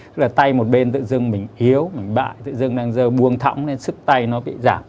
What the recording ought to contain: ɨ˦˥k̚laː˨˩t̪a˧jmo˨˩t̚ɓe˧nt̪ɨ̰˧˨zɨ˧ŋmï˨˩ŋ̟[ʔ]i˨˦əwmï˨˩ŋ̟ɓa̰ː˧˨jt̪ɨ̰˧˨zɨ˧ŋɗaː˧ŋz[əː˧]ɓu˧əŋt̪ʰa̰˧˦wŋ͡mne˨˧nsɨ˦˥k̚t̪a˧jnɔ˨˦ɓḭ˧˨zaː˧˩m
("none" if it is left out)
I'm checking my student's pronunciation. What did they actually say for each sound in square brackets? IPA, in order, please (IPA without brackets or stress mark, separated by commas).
ʔ, əː˧